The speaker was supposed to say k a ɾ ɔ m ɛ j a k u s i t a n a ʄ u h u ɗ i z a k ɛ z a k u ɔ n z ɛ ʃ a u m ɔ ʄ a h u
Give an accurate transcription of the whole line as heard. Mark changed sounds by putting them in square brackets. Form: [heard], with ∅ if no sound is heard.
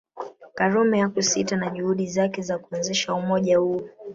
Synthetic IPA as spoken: k a ɾ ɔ m ɛ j a k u s i t a n a ʄ u h u ɗ i z a k ɛ z a k u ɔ n z ɛ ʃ a u m ɔ ʄ a h u